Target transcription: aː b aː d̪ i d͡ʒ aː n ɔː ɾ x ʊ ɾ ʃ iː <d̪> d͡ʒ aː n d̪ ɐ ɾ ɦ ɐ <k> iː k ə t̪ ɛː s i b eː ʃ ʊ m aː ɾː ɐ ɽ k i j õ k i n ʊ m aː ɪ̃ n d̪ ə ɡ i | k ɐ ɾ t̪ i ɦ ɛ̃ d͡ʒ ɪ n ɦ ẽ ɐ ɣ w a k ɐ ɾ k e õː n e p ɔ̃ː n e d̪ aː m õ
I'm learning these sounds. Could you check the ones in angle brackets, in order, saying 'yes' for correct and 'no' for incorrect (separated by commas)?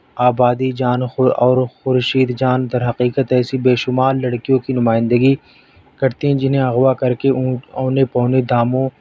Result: yes, no